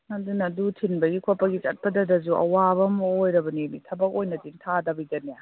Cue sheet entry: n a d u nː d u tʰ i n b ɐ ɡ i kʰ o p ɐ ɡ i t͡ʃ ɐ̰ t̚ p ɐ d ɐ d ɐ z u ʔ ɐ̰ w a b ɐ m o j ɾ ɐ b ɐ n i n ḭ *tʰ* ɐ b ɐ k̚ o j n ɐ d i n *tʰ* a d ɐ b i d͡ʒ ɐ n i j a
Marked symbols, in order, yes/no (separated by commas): yes, yes